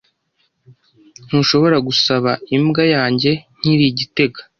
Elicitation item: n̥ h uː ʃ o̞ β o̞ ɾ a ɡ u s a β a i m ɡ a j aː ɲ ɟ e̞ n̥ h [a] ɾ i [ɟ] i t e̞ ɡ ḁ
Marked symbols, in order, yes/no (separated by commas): no, yes